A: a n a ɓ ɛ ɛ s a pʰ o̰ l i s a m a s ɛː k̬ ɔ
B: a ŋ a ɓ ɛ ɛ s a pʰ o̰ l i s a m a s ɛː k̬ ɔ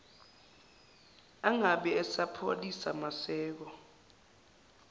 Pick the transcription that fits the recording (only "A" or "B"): B